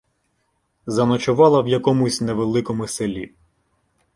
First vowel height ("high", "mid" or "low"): low